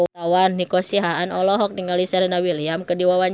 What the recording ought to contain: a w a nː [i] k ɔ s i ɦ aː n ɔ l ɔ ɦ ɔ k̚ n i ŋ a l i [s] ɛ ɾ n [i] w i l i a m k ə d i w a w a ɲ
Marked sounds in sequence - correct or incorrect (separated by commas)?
correct, correct, incorrect